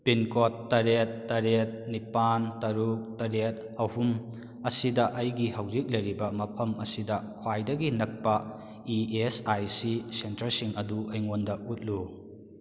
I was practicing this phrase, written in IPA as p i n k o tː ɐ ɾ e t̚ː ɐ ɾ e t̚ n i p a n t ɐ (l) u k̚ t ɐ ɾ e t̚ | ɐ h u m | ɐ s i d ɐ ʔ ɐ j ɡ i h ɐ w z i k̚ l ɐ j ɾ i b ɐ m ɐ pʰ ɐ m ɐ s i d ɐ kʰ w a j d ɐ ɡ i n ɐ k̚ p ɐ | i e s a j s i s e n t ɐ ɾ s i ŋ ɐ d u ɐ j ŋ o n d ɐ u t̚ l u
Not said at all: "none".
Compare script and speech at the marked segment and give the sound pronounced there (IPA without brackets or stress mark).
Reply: ɾ